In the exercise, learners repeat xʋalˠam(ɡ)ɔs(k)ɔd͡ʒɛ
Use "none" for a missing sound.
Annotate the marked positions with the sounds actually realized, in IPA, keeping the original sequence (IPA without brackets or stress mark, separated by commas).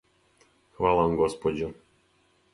ɡ, p